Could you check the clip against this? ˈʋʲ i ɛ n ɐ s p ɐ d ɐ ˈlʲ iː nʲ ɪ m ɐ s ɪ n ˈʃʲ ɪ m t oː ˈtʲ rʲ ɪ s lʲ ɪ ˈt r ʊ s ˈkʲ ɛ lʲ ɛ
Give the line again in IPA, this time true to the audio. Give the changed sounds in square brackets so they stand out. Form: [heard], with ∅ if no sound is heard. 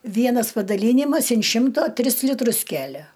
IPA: ˈʋʲ i ɛ n ɐ s p ɐ d ɐ ˈlʲ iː nʲ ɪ m ɐ s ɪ n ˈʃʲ ɪ m t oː ˈtʲ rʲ ɪ s lʲ ɪ ˈt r ʊ s ˈkʲ [æ] lʲ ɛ